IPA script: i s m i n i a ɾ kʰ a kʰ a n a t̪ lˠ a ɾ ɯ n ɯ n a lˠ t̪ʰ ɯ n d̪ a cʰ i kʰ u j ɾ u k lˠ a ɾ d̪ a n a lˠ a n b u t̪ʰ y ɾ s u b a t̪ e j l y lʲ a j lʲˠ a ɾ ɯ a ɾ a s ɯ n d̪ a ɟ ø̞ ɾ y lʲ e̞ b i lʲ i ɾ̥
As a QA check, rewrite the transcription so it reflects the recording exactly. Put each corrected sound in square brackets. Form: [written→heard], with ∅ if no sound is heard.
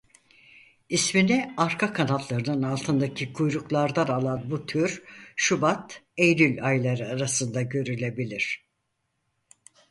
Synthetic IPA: i s m i n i a ɾ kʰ a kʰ a n a t̪ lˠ a ɾ ɯ n ɯ n a lˠ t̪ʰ ɯ n d̪ a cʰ i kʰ u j ɾ u k lˠ a ɾ d̪ a n a lˠ a n b u t̪ʰ y ɾ [s→ʃ] u b a t̪ e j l y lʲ a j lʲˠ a ɾ ɯ a ɾ a s ɯ n d̪ a ɟ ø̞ ɾ y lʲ e̞ b i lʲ i ɾ̥